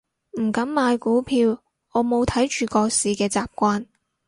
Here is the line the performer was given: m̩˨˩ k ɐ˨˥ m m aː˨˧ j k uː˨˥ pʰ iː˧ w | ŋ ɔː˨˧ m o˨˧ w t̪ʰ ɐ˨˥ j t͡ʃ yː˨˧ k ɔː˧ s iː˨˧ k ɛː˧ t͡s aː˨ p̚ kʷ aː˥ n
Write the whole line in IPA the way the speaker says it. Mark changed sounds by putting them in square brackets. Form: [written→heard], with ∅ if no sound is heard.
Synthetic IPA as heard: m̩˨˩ k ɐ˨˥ m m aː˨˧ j k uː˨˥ pʰ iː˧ w | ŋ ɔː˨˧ m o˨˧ w t̪ʰ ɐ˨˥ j t͡ʃ yː˨˧ k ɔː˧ s iː˨˧ k ɛː˧ t͡s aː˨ p̚ kʷ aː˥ n